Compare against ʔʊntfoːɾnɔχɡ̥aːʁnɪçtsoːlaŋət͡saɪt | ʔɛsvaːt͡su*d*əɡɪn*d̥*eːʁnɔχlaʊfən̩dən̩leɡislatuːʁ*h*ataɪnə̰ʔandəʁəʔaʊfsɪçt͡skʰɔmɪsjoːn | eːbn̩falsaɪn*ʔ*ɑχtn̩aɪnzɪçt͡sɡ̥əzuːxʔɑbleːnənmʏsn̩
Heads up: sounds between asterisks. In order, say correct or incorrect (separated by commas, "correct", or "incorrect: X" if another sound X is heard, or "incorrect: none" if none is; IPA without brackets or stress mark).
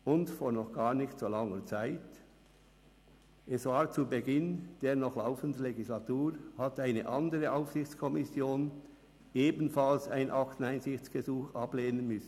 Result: incorrect: b, correct, correct, correct